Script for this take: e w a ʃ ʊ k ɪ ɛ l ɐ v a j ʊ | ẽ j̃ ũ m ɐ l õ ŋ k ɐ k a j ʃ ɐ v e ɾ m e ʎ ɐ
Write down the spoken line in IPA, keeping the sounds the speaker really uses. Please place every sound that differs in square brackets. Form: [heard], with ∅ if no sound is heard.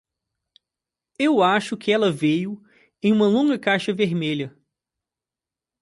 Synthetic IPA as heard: e w a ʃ ʊ k ɪ ɛ l ɐ v [e] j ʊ | ẽ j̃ ũ m ɐ l õ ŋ [ɡ] ɐ k a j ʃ ɐ v e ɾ m e ʎ ɐ